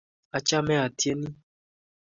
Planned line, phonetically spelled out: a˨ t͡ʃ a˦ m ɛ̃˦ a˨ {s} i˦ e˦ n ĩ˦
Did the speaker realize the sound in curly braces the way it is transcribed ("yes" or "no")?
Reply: no